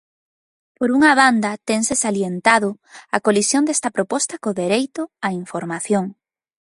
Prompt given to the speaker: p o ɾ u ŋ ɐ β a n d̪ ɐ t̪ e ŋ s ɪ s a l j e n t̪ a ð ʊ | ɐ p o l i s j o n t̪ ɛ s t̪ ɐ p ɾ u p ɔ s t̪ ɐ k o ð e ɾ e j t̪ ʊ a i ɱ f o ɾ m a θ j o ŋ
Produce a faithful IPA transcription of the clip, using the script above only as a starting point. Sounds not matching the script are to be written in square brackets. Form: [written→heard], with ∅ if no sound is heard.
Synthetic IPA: p o ɾ u ŋ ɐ β a n d̪ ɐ t̪ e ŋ s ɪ s a l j e n t̪ a ð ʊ | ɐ [p→k] o l i s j o n [t̪→d̪] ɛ s t̪ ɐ p ɾ [u→o] p ɔ s t̪ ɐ k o ð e ɾ e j t̪ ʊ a i ɱ f o ɾ m a θ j o ŋ

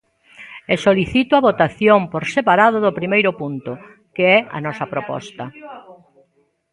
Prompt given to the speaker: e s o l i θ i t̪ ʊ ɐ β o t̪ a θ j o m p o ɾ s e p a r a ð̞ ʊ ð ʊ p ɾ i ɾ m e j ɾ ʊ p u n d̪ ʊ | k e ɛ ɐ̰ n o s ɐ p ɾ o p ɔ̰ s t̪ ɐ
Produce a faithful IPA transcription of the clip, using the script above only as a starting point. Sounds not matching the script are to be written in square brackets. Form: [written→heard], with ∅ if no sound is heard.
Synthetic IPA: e s o l i θ i t̪ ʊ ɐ β o t̪ a θ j o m p o ɾ s e p a [r→ɾ] a ð̞ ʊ ð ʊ p ɾ i [ɾ→∅] m e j ɾ ʊ p u n [d̪→t̪] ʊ | k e ɛ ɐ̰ n [o→ɔ] s ɐ p ɾ o p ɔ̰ s t̪ ɐ

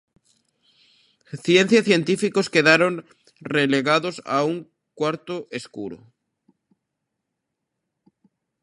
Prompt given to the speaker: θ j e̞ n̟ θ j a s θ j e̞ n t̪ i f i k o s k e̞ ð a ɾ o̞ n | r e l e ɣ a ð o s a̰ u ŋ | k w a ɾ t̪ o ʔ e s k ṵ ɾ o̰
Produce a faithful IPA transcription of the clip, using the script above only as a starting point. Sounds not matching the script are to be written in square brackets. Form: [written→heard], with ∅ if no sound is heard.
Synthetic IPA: θ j e̞ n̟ θ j a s θ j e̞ n t̪ i f i k o s k e̞ ð a ɾ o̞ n | r e l e ɣ a ð o s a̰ u ŋ | k w a ɾ t̪ o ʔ e s k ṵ ɾ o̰

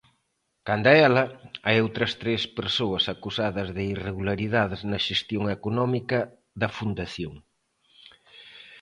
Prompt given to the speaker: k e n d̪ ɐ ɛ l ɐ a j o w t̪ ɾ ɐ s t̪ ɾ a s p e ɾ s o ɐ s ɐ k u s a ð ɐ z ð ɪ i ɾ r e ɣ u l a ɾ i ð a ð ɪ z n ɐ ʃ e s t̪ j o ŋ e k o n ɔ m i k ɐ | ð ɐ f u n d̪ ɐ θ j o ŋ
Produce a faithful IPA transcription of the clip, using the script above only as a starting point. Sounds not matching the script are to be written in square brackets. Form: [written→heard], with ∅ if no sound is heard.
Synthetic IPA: k [e→a] n d̪ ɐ ɛ l ɐ a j o w t̪ ɾ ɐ s t̪ ɾ [a→e] s p e ɾ s o ɐ s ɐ k u s a ð ɐ z ð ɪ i [ɾ→∅] r e ɣ u l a ɾ i ð a ð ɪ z n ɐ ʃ e s t̪ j o ŋ e k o n ɔ m i k ɐ | ð ɐ f u n d̪ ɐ θ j o ŋ

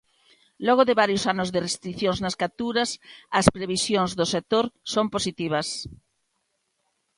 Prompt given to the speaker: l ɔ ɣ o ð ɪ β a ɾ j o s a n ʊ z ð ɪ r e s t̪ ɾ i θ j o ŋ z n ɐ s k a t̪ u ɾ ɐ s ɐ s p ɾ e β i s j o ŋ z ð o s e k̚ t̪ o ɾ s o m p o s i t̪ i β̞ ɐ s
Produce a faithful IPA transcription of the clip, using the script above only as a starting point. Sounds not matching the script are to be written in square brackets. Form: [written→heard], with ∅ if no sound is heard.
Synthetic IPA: l ɔ ɣ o ð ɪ β a ɾ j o s a n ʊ z ð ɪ r e s t̪ ɾ i θ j o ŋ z n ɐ s k a t̪ u ɾ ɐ s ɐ s p ɾ e β i s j o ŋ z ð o s e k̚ t̪ o ɾ s o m p o s i t̪ i β̞ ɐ s

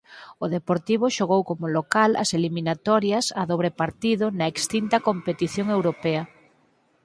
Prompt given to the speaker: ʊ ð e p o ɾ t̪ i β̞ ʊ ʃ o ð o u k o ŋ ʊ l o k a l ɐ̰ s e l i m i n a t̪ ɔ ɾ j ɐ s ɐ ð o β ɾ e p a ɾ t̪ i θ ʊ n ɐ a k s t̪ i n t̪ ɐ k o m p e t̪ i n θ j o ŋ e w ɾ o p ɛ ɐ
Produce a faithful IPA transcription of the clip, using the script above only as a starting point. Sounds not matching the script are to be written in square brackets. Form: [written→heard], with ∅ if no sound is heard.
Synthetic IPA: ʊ ð e p o ɾ t̪ i β̞ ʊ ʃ o [ð→ɣ] o [u→w] k o [ŋ→m] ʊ l o k a l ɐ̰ s e l i m i n a t̪ ɔ ɾ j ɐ s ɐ ð o β ɾ e p a ɾ t̪ i [θ→ð] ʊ n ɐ [a→e] k s t̪ i n t̪ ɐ k o m p e t̪ i [n→∅] θ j o ŋ e w ɾ o p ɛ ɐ

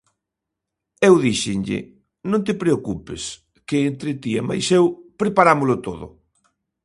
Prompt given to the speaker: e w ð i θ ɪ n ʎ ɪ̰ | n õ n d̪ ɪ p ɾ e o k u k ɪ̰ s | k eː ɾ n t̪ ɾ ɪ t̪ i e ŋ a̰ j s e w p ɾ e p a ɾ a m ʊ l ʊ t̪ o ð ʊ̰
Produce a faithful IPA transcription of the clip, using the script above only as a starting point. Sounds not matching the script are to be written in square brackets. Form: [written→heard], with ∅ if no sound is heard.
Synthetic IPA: e w ð i [θ→ʃ] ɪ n ʎ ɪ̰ | n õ n [d̪→t̪] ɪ p ɾ e o k u [k→p] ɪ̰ s | k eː [ɾ→∅] n t̪ ɾ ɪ t̪ i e [ŋ→m] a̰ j s e w p ɾ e p a ɾ a m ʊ l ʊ t̪ o ð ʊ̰

